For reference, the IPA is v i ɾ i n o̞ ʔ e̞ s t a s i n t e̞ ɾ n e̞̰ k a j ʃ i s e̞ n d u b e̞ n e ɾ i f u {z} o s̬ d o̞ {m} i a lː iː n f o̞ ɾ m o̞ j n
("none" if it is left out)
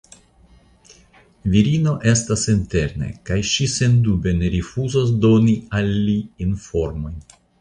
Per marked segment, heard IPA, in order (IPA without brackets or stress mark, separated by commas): z, n